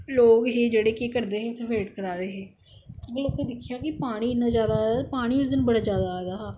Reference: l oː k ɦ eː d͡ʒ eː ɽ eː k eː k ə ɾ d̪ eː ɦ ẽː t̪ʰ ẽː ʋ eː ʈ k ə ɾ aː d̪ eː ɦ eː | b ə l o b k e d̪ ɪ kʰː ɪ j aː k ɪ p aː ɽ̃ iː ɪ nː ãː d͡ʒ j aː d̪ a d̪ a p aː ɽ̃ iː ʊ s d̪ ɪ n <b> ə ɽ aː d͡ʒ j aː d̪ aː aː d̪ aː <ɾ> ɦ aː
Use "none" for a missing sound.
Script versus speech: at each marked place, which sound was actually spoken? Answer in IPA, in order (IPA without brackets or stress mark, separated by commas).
b, none